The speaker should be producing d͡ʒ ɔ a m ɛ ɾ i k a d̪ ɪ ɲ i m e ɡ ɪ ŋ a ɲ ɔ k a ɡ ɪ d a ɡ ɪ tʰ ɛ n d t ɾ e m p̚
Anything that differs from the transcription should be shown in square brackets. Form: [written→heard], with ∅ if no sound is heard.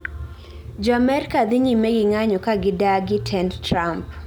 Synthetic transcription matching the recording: d͡ʒ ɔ a m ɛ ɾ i k a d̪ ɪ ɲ i m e ɡ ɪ ŋ a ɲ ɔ k a ɡ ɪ d a ɡ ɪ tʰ ɛ n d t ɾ [e→a] m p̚